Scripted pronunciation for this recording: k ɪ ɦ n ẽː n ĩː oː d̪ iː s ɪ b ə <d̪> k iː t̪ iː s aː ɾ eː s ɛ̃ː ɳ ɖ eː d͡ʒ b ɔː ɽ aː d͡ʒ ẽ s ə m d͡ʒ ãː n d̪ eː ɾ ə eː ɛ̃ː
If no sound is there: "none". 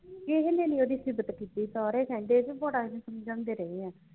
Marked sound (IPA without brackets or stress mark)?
t̪